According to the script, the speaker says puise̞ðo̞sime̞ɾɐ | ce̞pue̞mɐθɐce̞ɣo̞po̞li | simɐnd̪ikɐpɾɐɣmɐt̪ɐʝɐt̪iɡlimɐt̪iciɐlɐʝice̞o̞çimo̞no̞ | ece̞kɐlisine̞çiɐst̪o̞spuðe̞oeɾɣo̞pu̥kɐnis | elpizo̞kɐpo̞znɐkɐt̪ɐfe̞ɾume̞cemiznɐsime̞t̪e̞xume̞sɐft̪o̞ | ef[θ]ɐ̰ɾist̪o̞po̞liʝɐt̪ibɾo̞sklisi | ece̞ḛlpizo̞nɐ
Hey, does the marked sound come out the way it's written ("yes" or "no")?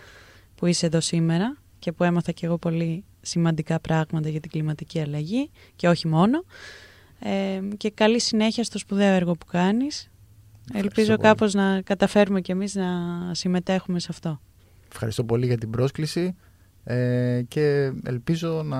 no